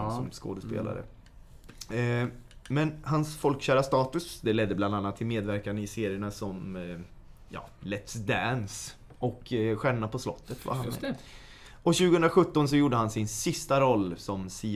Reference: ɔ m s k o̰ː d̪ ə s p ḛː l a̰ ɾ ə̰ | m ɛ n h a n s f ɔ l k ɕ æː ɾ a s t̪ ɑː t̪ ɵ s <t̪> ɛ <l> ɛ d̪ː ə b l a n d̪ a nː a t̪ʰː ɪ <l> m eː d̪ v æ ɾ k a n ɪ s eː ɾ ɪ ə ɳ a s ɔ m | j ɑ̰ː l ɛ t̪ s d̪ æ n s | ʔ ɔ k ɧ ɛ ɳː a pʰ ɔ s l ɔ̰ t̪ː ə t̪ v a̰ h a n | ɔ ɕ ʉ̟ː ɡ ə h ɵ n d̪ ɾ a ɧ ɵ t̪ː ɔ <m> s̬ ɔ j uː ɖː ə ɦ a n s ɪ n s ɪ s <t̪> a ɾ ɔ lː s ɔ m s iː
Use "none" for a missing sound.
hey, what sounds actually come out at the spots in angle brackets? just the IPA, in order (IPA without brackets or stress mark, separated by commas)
d̪, l, l, n, t̪